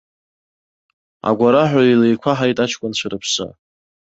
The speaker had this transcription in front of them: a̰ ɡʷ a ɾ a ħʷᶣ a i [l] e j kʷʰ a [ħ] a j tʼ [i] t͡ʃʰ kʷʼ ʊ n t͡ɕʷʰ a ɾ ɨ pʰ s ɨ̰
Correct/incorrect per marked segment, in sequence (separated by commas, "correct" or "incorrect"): correct, correct, incorrect